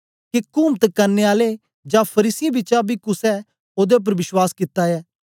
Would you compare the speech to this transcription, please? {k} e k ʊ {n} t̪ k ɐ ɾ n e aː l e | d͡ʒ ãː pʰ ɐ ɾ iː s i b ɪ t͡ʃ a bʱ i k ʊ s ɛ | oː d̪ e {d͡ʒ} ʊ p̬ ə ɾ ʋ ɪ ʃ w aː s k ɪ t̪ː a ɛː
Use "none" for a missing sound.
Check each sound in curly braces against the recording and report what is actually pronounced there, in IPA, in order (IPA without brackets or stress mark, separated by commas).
k, m, none